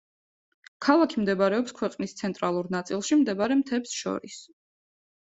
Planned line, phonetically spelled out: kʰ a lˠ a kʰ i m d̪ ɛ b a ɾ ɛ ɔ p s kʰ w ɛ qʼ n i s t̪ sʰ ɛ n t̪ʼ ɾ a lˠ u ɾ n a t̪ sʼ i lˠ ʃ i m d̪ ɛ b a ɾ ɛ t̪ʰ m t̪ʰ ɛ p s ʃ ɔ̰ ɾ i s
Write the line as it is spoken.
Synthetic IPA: kʰ a lˠ a kʰ i m d̪ ɛ b a ɾ ɛ ɔ p s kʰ w ɛ qʼ n i s t̪ sʰ ɛ n t̪ʼ ɾ a lˠ u ɾ n a t̪ sʼ i lˠ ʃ i m d̪ ɛ b a ɾ ɛ m t̪ʰ ɛ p s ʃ ɔ̰ ɾ i s